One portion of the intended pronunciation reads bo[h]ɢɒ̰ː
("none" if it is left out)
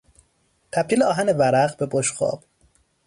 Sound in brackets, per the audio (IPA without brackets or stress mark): ʃ